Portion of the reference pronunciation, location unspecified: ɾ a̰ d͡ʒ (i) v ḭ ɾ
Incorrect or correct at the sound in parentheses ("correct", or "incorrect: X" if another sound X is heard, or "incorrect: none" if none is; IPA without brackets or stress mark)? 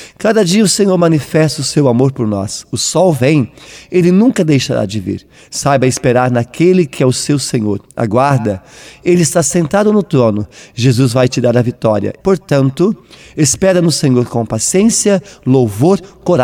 incorrect: ɪ